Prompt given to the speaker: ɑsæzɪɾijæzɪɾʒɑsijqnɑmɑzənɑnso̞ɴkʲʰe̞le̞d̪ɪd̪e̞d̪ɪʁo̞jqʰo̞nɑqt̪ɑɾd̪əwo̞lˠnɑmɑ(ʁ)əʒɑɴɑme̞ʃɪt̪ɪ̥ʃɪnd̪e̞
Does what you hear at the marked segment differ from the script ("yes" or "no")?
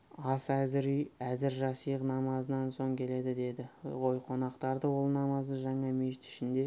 yes